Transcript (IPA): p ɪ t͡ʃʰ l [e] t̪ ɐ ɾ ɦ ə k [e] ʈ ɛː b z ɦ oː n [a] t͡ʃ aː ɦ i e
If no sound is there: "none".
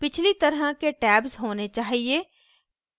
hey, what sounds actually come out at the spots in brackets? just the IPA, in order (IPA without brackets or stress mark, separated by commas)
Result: i, e, e